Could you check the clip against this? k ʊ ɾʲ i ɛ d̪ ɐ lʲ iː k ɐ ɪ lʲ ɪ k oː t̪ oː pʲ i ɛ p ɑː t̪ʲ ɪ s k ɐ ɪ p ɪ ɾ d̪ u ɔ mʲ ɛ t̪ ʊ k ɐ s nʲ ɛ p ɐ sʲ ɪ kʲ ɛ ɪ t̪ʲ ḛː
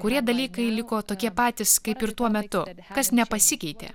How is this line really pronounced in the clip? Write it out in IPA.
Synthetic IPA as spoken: k ʊ ɾʲ i ɛ d̪ ɐ lʲ iː k ɐ ɪ lʲ ɪ k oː t̪ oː kʲ i ɛ p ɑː t̪ʲ ɪ s k ɐ ɪ p ɪ ɾ t̪ u ɔ mʲ ɛ t̪ ʊ k ɐ s nʲ ɛ p ɐ sʲ ɪ kʲ ɛ ɪ t̪ʲ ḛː